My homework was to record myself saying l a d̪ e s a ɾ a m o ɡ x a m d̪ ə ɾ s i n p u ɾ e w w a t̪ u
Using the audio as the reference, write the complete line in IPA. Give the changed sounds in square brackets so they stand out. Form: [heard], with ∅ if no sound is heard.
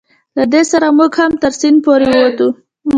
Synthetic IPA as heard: l a d̪ e s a ɾ a m [u] ɡ [h] a m [t̪] ə ɾ s i n p [o] ɾ e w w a t̪ u